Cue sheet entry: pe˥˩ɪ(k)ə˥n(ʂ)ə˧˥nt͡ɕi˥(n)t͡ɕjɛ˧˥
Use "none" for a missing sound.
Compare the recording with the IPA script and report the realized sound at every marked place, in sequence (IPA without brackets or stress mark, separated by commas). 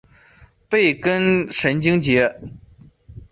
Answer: k, ʂ, ŋ